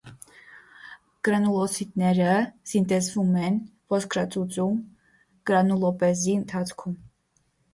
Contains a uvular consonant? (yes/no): no